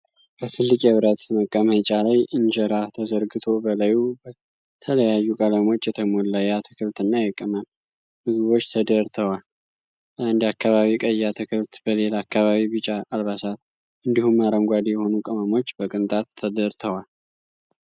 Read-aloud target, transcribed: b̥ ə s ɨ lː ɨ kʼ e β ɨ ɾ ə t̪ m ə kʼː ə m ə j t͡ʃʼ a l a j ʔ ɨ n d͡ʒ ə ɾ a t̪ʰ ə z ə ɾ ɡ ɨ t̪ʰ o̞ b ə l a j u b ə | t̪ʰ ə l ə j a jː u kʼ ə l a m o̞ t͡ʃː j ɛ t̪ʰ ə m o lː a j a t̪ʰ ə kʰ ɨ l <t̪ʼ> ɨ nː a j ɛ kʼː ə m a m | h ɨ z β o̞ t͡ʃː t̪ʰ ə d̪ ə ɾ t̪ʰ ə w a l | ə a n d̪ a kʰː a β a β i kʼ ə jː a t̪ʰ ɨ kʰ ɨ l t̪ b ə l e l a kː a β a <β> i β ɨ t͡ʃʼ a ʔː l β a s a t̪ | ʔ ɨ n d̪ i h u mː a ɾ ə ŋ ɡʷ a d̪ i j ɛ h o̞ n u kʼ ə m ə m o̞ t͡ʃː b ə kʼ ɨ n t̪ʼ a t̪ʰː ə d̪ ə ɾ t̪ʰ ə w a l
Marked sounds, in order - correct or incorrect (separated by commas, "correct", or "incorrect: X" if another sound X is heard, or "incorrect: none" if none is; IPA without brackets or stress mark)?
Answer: incorrect: t̪, correct